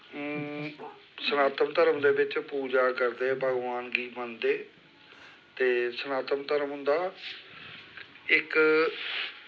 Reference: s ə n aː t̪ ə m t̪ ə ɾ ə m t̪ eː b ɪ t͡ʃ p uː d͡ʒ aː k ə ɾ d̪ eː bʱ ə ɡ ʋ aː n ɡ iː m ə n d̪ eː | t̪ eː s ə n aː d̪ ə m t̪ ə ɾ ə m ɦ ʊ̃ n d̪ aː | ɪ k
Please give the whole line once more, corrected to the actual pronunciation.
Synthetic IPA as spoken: s ə n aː t̪ ə m t̪ ə ɾ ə m d̪ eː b ɪ t͡ʃ p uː d͡ʒ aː k ə ɾ d̪ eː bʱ ə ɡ ʋ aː n ɡ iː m ə n d̪ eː | t̪ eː s ə n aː t̪ ə m t̪ ə ɾ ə m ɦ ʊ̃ n d̪ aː | ɪ k